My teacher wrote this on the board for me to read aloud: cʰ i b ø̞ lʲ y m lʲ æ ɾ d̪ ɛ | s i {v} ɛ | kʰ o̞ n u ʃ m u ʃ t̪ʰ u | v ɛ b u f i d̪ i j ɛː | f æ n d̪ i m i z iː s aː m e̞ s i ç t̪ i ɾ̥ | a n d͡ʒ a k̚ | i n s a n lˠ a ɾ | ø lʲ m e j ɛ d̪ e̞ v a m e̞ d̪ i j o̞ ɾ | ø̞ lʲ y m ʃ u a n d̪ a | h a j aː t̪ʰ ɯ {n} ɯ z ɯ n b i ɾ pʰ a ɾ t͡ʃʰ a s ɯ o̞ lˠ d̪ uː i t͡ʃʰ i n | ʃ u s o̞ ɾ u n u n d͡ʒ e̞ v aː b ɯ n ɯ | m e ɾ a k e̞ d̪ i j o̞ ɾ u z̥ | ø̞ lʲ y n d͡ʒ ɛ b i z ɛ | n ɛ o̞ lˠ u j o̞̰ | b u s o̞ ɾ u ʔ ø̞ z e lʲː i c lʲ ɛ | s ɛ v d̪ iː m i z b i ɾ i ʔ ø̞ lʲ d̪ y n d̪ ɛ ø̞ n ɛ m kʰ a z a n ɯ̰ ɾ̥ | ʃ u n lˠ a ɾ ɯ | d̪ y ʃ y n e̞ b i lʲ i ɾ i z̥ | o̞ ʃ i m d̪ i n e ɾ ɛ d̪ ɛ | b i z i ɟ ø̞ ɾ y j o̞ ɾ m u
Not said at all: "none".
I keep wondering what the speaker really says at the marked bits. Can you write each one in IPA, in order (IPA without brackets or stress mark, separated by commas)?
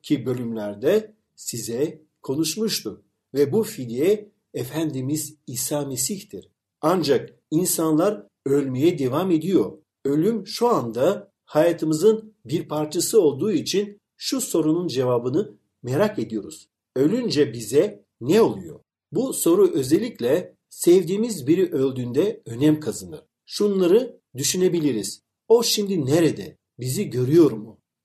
z, m